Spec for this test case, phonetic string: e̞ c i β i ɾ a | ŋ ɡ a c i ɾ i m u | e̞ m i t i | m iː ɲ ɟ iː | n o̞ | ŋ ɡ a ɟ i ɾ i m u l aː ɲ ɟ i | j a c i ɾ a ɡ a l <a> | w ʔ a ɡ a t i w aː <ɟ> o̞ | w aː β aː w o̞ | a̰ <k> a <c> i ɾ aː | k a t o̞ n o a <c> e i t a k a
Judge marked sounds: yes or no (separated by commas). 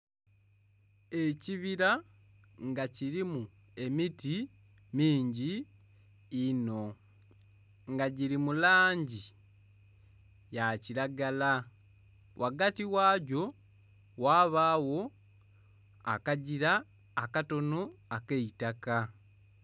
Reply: yes, yes, yes, no, no